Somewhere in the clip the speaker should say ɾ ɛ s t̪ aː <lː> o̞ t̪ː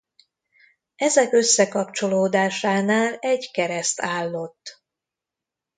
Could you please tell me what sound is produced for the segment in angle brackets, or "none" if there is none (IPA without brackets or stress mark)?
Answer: lː